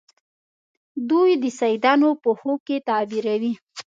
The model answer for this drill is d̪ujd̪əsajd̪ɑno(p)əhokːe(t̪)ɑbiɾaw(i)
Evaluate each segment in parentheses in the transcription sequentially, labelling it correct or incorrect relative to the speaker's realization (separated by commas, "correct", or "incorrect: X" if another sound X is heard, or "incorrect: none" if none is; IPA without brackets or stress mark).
correct, correct, correct